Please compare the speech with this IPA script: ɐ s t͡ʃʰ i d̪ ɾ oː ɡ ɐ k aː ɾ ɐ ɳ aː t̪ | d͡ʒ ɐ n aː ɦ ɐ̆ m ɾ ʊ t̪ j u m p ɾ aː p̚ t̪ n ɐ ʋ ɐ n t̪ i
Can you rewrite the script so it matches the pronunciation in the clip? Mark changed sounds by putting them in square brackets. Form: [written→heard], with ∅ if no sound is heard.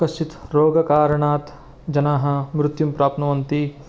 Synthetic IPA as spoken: ɐ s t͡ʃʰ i [d̪→t̪] ɾ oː ɡ ɐ k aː ɾ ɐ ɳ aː t̪ | d͡ʒ ɐ n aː ɦ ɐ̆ m ɾ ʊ t̪ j u m p ɾ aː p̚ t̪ n ɐ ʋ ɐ n t̪ i